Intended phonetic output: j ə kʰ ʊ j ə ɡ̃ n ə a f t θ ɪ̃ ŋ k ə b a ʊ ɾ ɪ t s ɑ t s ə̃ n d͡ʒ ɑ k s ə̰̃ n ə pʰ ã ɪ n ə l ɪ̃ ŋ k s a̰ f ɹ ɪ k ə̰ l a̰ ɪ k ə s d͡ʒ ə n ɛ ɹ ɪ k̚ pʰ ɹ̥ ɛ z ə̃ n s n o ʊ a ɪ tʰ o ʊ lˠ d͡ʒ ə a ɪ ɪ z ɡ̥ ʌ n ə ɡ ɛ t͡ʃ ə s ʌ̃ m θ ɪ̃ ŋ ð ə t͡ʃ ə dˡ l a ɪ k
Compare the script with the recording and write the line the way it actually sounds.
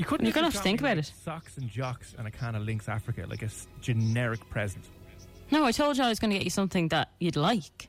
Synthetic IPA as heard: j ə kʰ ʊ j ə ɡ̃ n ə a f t θ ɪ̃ ŋ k ə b a ʊ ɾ ɪ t s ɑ k s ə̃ n d͡ʒ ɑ k s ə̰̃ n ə kʰ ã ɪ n ə l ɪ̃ ŋ k s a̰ f ɹ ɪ k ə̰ l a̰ ɪ k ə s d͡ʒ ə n ɛ ɹ ɪ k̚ pʰ ɹ̥ ɛ z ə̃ n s n o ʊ a ɪ tʰ o ʊ lˠ d͡ʒ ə a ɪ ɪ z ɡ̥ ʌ n ə ɡ ɛ t͡ʃ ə s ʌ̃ m θ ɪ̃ ŋ ð ə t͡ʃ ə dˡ l a ɪ k